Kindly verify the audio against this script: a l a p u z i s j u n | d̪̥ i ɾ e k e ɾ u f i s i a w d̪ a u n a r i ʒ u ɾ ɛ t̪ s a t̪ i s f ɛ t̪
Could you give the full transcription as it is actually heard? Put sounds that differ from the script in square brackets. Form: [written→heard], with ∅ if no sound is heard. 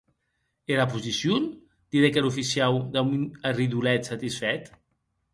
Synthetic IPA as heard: [a→e] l a p u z i s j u n | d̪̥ i ɾ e k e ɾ u f i s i a w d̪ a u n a r i [ʒ→ð] u [ɾ→l] ɛ t̪ s a t̪ i s f ɛ t̪